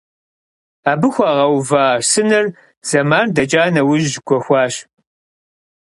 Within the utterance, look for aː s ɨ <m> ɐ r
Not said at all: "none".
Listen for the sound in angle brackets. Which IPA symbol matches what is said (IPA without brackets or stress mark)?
n